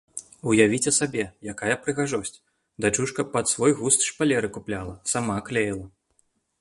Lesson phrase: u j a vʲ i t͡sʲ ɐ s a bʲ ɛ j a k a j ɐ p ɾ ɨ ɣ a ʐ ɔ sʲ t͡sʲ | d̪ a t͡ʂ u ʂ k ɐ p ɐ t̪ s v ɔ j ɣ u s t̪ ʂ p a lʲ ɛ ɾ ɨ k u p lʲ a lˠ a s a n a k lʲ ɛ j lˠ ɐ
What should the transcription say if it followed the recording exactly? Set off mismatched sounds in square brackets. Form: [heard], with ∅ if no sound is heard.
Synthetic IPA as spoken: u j a vʲ i t͡sʲ ɐ s a bʲ ɛ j a k a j ɐ p ɾ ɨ ɣ a ʐ ɔ sʲ t͡sʲ | d̪ a t͡ʂ u ʂ k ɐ p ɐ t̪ s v ɔ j ɣ u s t̪ ʂ p a lʲ ɛ ɾ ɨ k u p lʲ a lˠ [ɐ] s a [m] a k lʲ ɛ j lˠ ɐ